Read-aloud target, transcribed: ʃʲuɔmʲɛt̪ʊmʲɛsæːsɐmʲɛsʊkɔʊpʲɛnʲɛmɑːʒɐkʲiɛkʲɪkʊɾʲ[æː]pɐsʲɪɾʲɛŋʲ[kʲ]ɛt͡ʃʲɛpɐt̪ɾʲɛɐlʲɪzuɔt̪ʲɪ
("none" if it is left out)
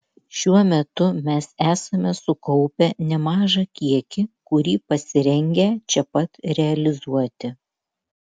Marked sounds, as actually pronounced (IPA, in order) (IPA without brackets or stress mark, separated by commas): iː, ɡʲ